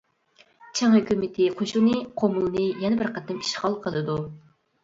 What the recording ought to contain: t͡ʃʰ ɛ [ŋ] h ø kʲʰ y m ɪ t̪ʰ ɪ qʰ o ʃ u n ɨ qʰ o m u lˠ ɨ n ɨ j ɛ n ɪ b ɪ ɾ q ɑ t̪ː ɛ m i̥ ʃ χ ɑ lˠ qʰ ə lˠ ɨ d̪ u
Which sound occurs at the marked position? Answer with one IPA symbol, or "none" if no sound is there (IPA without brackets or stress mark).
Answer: ŋ